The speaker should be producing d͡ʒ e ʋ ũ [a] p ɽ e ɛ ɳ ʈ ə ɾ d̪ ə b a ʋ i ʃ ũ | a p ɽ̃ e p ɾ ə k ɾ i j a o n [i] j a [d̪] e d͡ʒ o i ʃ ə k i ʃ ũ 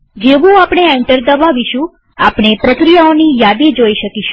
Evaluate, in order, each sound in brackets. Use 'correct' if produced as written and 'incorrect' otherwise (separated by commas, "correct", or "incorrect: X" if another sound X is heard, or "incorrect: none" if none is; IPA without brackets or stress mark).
correct, correct, correct